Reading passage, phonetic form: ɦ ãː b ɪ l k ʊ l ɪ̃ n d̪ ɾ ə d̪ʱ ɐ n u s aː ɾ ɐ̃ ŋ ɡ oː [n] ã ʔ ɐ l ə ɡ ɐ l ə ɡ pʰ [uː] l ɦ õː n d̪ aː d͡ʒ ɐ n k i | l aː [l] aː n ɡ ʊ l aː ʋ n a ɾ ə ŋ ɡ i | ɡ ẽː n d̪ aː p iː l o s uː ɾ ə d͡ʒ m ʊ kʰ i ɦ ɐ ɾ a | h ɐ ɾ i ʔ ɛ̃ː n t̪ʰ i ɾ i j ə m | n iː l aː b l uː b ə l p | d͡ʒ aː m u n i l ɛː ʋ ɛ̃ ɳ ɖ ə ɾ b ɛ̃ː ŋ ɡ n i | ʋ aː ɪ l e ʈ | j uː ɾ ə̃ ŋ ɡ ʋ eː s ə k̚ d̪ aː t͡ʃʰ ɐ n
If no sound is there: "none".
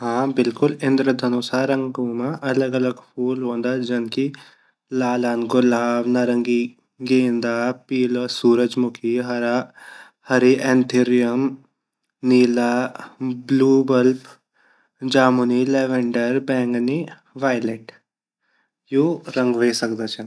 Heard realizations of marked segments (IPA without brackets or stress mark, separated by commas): m, uː, l